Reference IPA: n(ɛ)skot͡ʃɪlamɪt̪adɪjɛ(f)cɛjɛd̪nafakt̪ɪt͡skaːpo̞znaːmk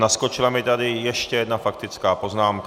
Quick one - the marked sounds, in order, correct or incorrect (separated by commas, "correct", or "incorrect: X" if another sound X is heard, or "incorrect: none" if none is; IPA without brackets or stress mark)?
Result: incorrect: a, incorrect: ʃ